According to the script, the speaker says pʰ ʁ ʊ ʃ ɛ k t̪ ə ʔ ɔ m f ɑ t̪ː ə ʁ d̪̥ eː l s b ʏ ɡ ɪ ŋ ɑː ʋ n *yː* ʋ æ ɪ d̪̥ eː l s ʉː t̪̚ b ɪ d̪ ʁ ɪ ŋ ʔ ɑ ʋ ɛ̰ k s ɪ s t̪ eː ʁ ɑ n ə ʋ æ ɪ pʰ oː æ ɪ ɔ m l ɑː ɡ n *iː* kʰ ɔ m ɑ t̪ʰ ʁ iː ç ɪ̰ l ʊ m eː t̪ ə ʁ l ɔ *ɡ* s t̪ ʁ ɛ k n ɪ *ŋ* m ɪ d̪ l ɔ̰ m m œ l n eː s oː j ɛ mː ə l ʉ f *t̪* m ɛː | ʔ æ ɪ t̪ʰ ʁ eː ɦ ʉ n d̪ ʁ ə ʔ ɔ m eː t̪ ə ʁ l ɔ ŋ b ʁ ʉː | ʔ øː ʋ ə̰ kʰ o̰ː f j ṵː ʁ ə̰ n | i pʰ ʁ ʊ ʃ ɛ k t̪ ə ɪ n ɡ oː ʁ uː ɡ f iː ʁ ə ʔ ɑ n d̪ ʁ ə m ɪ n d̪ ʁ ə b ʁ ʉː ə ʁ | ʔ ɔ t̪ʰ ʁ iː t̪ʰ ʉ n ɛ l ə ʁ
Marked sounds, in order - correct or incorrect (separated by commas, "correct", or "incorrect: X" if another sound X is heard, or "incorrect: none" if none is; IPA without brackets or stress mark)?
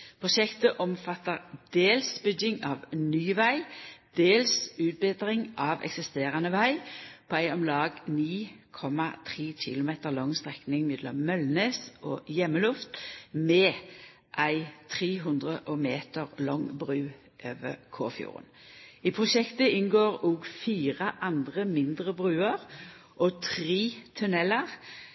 correct, correct, incorrect: ŋ, correct, correct